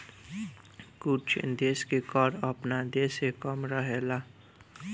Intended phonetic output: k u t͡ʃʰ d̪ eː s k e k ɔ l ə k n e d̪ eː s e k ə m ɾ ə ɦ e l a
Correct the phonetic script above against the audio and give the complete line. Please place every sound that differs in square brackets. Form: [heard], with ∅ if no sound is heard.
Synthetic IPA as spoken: k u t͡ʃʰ d̪ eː s k e k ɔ [ɾ] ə [p] n [a] d̪ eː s e k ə m ɾ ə ɦ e l a